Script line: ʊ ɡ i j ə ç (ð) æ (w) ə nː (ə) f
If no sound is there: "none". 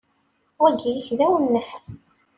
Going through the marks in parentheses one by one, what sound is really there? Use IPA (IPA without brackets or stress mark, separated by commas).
ð, w, ə